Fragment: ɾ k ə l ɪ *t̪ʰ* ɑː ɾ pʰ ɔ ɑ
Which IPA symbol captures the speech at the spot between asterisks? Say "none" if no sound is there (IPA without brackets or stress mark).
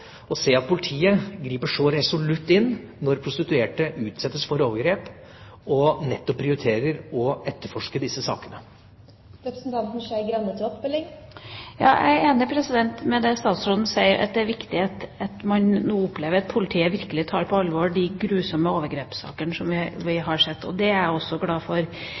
t̪ʰ